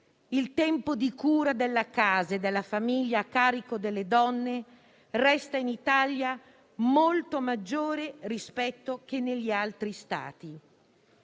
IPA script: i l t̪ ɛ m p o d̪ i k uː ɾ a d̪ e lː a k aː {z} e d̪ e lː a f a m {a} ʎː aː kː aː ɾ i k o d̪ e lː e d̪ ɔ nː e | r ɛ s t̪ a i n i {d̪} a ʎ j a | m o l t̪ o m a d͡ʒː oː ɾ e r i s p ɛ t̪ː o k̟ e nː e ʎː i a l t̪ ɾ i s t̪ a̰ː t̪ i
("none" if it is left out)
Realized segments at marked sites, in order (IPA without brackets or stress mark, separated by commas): z, i, t̪